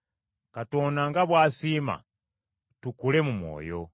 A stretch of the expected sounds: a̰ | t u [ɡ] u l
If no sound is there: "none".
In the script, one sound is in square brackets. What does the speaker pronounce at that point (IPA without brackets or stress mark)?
k